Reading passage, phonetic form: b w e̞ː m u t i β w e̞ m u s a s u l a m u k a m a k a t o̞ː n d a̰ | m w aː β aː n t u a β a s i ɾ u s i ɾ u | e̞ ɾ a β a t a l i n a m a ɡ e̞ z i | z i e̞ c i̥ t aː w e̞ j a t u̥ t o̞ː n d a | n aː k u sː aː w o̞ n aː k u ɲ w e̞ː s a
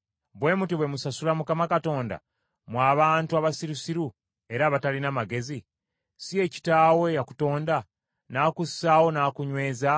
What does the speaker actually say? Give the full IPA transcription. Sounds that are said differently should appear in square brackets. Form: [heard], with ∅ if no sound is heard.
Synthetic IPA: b w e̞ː m u t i β w e̞ m u s a s u l a m u k a m a k a t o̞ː n d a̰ | m w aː β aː n t u a β a s i ɾ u s i ɾ u | e̞ ɾ a β a t a l i n a m a ɡ e̞ z i | [s] i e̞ c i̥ t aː w e̞ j a [k] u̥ t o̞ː n d a | n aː k u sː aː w o̞ n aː k u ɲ w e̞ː [z] a